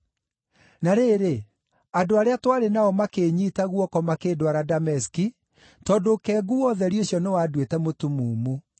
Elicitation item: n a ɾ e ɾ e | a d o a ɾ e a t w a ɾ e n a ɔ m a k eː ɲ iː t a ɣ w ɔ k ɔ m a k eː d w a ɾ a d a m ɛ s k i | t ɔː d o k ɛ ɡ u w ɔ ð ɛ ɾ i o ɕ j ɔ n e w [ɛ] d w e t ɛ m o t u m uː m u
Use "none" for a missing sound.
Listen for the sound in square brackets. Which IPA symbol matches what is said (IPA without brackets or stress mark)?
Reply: a